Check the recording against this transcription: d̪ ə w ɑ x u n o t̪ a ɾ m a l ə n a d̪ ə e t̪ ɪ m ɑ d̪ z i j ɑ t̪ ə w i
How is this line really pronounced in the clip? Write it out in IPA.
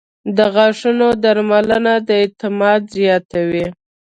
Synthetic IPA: d̪ ə ɣ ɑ ʂ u n o d̪ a ɾ m a l ə n a d̪ ə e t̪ ɪ m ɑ d̪ z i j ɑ t̪ a w i